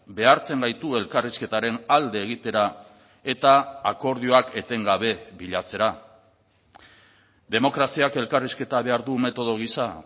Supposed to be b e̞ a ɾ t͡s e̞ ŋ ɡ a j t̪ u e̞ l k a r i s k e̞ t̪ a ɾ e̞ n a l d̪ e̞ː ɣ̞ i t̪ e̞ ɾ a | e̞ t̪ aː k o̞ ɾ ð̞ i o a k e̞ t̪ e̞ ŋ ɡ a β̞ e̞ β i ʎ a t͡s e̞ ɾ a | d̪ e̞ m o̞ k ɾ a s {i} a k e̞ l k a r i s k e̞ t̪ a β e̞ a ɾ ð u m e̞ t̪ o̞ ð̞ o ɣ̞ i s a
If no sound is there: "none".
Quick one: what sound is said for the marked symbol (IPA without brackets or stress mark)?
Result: i